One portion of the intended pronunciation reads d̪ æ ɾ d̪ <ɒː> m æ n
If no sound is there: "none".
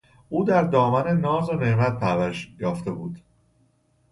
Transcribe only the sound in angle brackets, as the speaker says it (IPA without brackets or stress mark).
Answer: ɒː